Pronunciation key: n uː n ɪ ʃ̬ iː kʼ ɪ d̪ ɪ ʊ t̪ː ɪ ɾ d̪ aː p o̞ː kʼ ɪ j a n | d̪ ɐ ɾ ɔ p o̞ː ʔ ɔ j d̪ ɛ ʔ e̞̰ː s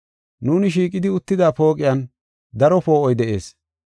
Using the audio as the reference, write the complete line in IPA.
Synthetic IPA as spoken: n uː n ɪ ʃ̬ iː kʼ ɪ d̪ ɪ ʊ t̪ː ɪ d̪ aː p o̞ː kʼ ɪ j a n | d̪ ɐ ɾ ɔ p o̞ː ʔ ɔ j d̪ ɛ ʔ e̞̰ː s

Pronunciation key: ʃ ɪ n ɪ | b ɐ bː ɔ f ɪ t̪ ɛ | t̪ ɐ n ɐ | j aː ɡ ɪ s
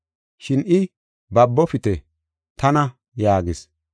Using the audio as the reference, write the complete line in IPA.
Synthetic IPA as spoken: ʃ ɪ n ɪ | b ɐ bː ɔ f ɪ t̪ ɛ | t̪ ɐ n ɐ | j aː ɡ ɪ s

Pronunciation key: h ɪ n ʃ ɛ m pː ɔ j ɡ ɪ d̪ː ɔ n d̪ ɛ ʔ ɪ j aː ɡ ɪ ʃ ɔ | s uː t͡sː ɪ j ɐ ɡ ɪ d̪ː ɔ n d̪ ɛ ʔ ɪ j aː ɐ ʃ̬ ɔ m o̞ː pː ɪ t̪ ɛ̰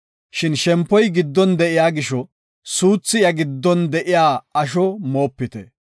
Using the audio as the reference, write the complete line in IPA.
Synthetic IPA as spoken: ʃ ɪ n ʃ ɛ m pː ɔ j ɡ ɪ d̪ː ɔ n d̪ ɛ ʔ ɪ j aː ɡ ɪ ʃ ɔ | s uː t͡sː ɪ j ɐ ɡ ɪ d̪ː ɔ n d̪ ɛ ʔ ɪ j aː ɐ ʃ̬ ɔ m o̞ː pː ɪ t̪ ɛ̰

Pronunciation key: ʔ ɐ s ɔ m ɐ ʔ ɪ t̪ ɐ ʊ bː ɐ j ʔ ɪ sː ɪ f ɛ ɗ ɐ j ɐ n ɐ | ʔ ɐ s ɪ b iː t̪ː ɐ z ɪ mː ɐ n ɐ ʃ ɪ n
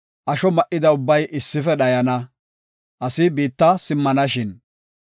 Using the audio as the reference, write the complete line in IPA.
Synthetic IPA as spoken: ʔ ɐ ʃ ɔ m ɐ ʔ ɪ d̪ ɐ ʊ bː ɐ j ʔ ɪ sː ɪ f ɛ ɗ ɐ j ɐ n ɐ | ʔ ɐ s ɪ b iː t̪ː ɐ s ɪ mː ɐ n ɐ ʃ ɪ n

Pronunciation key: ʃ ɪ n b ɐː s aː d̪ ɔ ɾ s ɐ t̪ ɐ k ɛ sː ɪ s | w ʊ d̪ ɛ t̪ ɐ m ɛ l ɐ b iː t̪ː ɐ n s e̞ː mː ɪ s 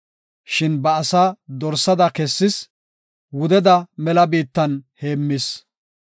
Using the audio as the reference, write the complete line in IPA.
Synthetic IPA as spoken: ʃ ɪ n b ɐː s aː d̪ ɔ ɾ s ɐ d̪ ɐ k ɛ sː ɪ s | w ʊ d̪ ɛ d̪ ɐ m ɛ l ɐ b iː t̪ː ɐ n h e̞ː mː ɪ s

